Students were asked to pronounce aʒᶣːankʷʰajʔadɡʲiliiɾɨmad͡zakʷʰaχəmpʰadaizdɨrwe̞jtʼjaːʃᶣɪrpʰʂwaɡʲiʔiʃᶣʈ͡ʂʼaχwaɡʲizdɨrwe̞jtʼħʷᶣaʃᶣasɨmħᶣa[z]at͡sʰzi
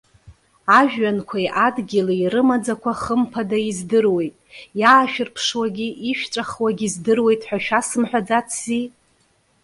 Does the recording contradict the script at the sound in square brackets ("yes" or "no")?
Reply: yes